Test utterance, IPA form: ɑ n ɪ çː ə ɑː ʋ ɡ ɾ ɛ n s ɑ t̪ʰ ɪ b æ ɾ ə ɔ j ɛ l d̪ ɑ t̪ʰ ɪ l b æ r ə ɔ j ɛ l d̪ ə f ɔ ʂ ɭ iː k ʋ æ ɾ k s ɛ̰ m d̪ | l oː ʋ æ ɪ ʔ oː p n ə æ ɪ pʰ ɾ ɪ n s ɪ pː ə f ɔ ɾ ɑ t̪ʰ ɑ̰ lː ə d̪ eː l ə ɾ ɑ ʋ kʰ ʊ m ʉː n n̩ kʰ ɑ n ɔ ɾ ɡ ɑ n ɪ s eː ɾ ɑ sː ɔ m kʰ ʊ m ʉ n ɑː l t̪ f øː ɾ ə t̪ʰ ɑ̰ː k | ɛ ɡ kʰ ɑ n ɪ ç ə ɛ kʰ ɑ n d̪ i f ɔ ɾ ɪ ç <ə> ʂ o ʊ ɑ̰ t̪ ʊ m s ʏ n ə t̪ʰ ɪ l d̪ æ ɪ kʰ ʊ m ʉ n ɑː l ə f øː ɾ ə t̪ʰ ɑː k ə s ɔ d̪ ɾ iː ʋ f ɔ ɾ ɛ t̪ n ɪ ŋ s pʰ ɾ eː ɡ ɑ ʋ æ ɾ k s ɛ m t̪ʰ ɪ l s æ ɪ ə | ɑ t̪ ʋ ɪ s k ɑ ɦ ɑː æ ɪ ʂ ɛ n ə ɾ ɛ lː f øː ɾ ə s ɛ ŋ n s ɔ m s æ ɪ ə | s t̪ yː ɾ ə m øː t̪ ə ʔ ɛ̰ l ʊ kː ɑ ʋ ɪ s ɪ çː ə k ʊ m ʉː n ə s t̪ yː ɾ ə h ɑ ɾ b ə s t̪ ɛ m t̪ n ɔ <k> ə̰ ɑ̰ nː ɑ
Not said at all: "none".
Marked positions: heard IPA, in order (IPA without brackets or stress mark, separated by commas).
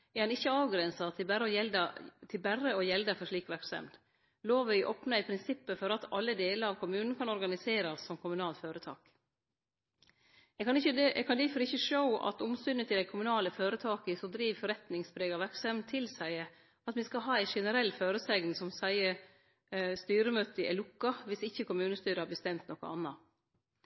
ə, k